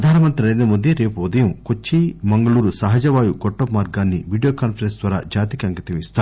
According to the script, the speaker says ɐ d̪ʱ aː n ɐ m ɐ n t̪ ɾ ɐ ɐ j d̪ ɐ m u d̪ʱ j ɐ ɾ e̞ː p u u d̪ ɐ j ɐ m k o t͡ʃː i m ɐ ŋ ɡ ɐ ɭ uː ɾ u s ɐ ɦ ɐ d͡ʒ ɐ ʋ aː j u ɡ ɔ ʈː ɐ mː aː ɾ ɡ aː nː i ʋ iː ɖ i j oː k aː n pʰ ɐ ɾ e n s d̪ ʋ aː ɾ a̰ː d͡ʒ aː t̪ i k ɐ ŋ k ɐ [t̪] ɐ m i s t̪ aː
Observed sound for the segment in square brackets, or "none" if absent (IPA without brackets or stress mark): t̪